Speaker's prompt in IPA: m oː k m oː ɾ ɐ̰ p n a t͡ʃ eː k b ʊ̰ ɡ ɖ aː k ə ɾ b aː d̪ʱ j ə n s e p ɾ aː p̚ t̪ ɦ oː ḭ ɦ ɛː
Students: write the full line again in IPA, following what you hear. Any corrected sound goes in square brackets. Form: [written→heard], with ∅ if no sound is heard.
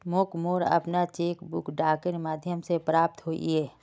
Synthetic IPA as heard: m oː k m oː ɾ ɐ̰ p n a t͡ʃ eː k b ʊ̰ [ɡ→k] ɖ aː k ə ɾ [b→m] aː d̪ʱ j ə [n→m] s e p ɾ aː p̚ t̪ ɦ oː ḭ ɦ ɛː